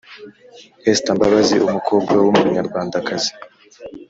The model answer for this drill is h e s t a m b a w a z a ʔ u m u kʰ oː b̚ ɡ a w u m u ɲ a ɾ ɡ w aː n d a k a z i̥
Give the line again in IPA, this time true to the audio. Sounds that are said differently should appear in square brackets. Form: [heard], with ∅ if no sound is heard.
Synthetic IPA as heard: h e s t a m b a [β] a z [i] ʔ u m u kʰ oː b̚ ɡ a w u m u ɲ a ɾ ɡ w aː n d a k a z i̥